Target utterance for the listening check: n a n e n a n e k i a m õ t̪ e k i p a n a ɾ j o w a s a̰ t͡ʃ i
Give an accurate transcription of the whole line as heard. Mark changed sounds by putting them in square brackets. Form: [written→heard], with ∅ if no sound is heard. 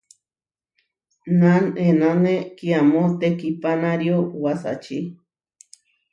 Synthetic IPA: n a n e n a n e k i a m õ t̪ e k i p a n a ɾ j o w a s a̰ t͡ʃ i

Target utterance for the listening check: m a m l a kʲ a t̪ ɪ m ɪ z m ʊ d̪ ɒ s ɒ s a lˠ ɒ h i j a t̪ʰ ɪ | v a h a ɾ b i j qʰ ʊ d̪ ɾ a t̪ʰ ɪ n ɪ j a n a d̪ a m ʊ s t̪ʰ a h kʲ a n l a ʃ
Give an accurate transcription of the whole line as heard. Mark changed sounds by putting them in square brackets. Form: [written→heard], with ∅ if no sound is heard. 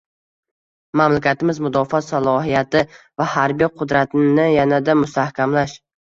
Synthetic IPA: m a m l a kʲ a t̪ ɪ m ɪ z m ʊ d̪ ɒ [s→f] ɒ s a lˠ ɒ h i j a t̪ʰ ɪ | v a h a ɾ b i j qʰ ʊ d̪ ɾ a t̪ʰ ɪ n ɪ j a n a d̪ a m ʊ s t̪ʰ a h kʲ a [n→m] l a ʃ

